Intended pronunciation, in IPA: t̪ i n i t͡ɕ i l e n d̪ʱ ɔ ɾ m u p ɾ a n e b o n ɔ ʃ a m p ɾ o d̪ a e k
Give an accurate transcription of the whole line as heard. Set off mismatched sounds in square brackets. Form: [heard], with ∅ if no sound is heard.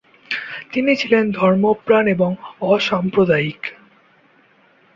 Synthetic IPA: t̪ i n i [t͡ɕʰ] i l e n d̪ʱ ɔ ɾ m [o] p ɾ a n e b o [ŋ] ɔ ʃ a m p ɾ o d̪ a [i] k

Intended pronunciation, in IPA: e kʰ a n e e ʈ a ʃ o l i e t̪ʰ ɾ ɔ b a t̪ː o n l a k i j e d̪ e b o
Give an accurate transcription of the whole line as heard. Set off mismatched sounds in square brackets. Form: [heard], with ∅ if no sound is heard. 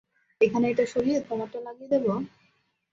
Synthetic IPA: e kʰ a n e e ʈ a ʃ o [ɾ] i e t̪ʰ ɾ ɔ [m] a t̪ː o n l a [ɡ] i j e d̪ e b o

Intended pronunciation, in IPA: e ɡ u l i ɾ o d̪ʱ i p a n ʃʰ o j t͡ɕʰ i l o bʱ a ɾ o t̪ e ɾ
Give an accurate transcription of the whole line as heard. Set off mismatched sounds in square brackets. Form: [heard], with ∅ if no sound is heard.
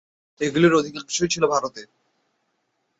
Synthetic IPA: e ɡ u l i ɾ o d̪ʱ i [k] a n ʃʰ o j t͡ɕʰ i l o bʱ a ɾ o t̪ e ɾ

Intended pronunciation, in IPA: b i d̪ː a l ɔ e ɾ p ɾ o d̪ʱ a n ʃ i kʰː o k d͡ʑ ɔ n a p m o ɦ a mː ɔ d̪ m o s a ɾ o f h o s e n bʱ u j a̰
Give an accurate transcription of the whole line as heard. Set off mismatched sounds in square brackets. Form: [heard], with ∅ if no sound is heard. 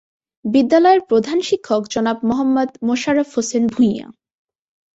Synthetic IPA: b i d̪ː a l ɔ e ɾ p ɾ o d̪ʱ a n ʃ i kʰː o k d͡ʑ ɔ n a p m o ɦ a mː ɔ d̪ m o [ʃ] a ɾ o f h o s e n bʱ u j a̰

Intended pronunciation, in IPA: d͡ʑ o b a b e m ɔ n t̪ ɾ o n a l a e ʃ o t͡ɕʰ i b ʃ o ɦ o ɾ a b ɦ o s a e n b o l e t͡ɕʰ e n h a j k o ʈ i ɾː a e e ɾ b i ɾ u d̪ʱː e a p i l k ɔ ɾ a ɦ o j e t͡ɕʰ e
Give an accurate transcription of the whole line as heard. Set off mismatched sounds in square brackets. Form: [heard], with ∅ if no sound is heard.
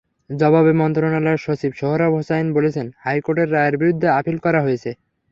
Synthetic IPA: d͡ʑ [ɔ] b a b e m ɔ n t̪ ɾ o n a l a e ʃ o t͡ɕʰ i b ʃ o ɦ o ɾ a b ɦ o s a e n b o l e t͡ɕʰ e n h a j k o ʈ [e] ɾː a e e ɾ b i ɾ u d̪ʱː e a p i l k ɔ ɾ a ɦ o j e t͡ɕʰ e

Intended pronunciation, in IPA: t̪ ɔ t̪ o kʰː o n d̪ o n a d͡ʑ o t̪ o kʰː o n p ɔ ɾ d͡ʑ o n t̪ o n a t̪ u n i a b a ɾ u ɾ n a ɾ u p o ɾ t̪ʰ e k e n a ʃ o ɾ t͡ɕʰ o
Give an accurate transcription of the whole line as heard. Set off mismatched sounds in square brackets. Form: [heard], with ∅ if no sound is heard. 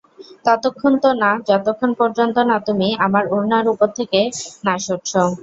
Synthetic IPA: t̪ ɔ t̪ o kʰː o n [t̪] o n a d͡ʑ [ɔ] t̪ o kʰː o n p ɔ ɾ d͡ʑ o n t̪ o n a t̪ u [m] i a [m] a ɾ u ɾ n a ɾ u p o ɾ t̪ʰ e k e n a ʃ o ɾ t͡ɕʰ o

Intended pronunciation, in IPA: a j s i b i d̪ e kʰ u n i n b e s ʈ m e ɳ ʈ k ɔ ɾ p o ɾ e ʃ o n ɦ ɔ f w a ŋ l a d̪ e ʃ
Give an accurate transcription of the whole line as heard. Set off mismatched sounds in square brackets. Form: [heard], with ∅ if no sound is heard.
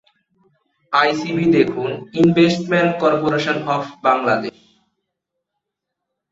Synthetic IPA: a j s i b i d̪ e kʰ u n i n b e s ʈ m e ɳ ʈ k ɔ ɾ p o ɾ e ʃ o n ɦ ɔ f [b] a ŋ l a d̪ e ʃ

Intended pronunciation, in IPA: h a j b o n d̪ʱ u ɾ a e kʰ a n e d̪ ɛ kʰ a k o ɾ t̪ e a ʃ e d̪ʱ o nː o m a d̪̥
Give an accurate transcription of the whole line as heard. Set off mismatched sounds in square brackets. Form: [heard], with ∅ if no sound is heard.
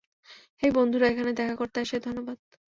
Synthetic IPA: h [e] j b o n d̪ʱ u ɾ a e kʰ a n e d̪ ɛ kʰ a k o ɾ t̪ e a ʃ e d̪ʱ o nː o [b] a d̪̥

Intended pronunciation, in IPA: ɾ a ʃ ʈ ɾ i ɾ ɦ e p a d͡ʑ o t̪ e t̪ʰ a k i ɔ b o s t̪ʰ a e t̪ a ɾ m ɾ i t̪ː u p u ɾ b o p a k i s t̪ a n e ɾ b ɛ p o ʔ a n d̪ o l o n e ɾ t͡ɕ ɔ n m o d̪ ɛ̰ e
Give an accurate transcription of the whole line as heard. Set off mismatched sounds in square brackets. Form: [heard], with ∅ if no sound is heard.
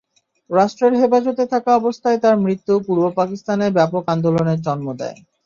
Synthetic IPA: ɾ a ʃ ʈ ɾ [e] ɾ ɦ e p a d͡ʑ o t̪ e t̪ʰ a k [a] ɔ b o s t̪ʰ a e t̪ a ɾ m ɾ i t̪ː u p u ɾ b o p a k i s t̪ a n e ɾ b ɛ p o [k] a n d̪ o l o n e ɾ t͡ɕ ɔ n m o d̪ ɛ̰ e

